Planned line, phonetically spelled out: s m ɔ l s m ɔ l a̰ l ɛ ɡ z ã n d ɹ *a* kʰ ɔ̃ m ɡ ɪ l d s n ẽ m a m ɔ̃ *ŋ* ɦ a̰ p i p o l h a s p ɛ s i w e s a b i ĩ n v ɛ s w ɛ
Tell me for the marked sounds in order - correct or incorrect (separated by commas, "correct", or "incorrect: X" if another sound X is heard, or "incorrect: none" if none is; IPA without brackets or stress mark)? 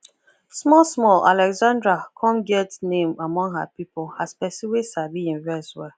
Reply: correct, correct